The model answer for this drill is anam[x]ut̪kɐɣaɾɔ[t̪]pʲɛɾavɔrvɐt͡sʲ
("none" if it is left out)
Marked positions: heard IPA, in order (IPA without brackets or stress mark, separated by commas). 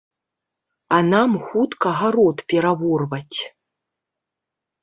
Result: x, t̪